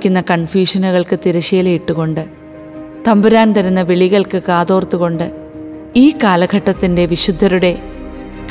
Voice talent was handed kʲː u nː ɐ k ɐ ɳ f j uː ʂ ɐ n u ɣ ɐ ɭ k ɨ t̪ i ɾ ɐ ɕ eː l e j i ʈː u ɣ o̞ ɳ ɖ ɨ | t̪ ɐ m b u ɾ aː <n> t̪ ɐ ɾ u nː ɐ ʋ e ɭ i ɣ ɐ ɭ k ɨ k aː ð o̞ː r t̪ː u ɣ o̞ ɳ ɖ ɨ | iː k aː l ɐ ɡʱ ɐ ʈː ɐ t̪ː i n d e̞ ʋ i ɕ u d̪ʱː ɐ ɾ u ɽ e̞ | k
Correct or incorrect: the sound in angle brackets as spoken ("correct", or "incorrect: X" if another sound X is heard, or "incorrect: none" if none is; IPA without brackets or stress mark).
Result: correct